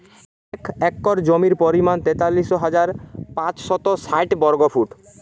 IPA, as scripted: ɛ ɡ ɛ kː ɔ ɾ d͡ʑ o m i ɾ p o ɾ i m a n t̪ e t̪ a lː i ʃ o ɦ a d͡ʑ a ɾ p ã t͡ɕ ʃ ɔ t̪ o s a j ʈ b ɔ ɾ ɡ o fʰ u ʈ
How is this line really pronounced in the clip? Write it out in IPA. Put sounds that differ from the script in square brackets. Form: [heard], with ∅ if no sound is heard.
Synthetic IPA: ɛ [k] ɛ kː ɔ ɾ d͡ʑ o m i ɾ p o ɾ i m a n t̪ e t̪ a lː i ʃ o ɦ a d͡ʑ a ɾ p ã t͡ɕ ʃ ɔ t̪ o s a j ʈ b ɔ ɾ ɡ o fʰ u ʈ